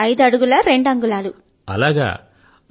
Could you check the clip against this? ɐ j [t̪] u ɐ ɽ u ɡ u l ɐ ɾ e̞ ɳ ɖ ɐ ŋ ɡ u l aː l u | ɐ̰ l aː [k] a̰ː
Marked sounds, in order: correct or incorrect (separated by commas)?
incorrect, incorrect